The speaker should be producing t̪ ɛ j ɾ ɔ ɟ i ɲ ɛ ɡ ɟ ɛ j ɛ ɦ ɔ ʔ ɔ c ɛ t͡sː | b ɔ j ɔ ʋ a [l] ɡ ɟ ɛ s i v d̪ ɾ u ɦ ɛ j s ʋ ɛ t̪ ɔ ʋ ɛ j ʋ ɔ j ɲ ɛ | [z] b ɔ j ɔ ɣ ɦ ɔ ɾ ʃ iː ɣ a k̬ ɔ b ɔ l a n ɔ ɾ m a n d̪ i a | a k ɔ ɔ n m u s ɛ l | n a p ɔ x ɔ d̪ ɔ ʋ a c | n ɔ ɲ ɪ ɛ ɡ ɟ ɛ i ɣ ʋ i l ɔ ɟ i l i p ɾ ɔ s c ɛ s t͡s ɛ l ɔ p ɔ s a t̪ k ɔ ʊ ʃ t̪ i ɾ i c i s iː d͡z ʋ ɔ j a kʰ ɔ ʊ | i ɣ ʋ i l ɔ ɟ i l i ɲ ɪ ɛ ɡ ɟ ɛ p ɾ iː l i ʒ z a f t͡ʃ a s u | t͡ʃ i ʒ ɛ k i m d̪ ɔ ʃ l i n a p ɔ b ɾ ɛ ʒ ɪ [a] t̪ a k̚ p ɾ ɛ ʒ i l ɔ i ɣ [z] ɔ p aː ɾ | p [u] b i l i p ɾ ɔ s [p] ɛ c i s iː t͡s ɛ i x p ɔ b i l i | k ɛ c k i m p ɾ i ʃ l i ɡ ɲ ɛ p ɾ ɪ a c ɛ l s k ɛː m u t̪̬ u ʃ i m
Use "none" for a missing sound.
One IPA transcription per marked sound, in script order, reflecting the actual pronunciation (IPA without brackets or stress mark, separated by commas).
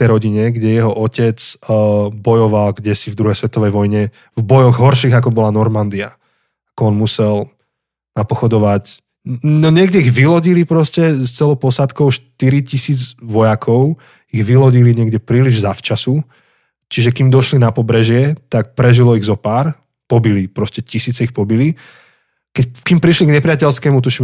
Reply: l, v, ɛ, z, ɔ, c